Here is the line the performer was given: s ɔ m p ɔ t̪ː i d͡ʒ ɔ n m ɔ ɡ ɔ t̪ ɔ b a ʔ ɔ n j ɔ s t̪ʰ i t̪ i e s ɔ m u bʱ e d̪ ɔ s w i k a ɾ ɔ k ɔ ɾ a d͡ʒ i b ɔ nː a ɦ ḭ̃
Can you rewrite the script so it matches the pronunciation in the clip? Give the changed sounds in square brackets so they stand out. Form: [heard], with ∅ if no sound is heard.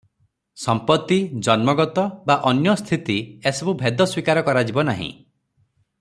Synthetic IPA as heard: s ɔ m p ɔ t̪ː i d͡ʒ ɔ n m ɔ ɡ ɔ t̪ ɔ b a ʔ ɔ n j ɔ s t̪ʰ i t̪ i e s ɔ [b] u bʱ e d̪ ɔ s w i k a ɾ ɔ k ɔ ɾ a d͡ʒ i b ɔ [n] a ɦ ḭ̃